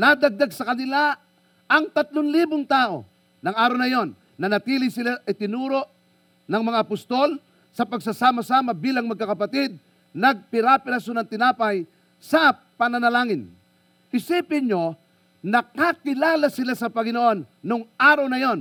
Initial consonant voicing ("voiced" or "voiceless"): voiced